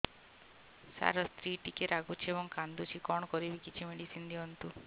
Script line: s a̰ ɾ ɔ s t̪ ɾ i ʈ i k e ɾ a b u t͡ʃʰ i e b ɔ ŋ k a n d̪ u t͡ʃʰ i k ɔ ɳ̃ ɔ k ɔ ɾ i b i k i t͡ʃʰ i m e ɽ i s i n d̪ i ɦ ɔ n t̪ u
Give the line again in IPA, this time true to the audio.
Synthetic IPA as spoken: s a̰ ɾ ɔ s t̪ ɾ i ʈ i k e ɾ a ɡ u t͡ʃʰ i e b ɔ ŋ k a n d̪ u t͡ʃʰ i k ɔ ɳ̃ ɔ k ɔ ɾ i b i k i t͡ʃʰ i m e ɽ i s i n d̪ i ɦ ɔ n t̪ u